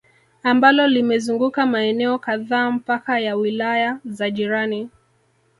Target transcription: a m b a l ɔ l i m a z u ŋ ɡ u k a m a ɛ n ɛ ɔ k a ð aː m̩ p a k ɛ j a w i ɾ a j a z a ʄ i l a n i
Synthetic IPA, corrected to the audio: a m b a l ɔ l i m ɛ z u ŋ ɡ u k a m a ɛ n ɛ ɔ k a ð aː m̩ p a k a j a w i l a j a z a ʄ i ɾ a n i